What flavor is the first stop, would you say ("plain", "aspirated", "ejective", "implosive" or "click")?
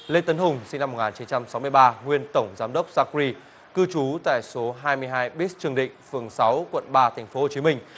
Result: plain